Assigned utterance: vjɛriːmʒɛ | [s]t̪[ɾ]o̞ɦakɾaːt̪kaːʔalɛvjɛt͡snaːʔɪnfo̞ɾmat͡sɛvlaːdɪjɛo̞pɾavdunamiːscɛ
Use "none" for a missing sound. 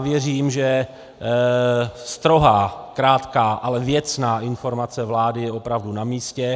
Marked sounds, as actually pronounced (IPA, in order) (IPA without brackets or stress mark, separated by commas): s, ɾ